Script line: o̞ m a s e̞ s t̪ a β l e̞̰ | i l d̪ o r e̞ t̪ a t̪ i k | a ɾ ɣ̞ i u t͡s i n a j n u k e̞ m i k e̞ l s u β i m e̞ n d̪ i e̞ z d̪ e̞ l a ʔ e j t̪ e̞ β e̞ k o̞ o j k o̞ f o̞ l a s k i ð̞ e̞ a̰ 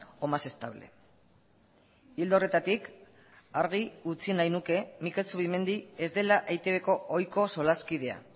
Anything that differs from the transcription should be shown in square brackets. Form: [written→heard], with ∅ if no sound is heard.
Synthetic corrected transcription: o̞ m a s e̞ s t̪ a β l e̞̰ | i l d̪ o r e̞ t̪ a t̪ i k | a ɾ ɣ̞ i u t͡s i n a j n u k e̞ m i k e̞ l s u β i m e̞ n d̪ i e̞ z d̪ e̞ l a ʔ e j t̪ e̞ β e̞ k o̞ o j k o̞ [f→s] o̞ l a s k i ð̞ e̞ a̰